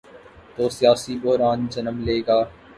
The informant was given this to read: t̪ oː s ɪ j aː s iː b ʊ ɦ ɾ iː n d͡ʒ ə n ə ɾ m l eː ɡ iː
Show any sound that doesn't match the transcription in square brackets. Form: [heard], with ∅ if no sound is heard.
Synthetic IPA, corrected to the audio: t̪ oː s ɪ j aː s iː b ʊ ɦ ɾ [aː] n d͡ʒ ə n ə [∅] m l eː ɡ [aː]